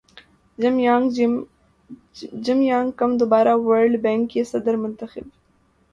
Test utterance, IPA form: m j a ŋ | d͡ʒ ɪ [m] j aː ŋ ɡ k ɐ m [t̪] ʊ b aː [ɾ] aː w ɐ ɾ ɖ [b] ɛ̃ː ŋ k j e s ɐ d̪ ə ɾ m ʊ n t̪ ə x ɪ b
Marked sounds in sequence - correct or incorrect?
correct, incorrect, correct, correct

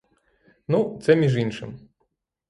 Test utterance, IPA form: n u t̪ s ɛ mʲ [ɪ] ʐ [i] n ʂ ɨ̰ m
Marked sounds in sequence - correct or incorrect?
incorrect, correct

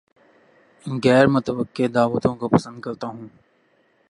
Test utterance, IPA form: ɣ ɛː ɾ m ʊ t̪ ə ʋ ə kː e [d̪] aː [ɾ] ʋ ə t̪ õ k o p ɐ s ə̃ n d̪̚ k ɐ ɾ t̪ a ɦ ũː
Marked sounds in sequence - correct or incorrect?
correct, incorrect

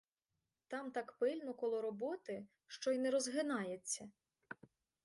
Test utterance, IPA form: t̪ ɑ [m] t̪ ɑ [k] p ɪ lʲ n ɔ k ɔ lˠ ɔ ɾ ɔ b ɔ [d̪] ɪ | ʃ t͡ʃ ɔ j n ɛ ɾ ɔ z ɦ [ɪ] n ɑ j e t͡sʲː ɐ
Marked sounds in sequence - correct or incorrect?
correct, correct, incorrect, correct

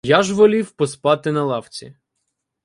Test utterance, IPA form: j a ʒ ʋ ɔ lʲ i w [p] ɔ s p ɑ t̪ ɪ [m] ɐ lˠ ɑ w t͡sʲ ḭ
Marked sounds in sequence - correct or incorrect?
correct, incorrect

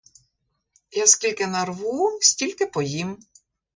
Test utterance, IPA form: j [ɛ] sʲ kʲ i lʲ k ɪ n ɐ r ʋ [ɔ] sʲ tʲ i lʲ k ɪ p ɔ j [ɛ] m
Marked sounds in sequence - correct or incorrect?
incorrect, incorrect, incorrect

